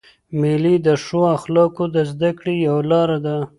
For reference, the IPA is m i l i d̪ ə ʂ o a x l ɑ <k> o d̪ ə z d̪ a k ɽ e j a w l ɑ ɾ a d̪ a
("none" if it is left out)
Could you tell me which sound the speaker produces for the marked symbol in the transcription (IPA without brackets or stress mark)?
k